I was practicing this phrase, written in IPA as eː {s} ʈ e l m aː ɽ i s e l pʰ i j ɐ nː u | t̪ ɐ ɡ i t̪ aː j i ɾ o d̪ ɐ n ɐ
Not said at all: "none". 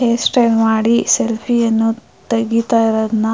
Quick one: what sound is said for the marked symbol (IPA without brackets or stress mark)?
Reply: s